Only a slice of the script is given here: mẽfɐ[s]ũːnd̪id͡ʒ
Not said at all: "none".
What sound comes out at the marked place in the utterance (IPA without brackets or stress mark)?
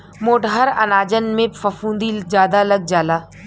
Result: f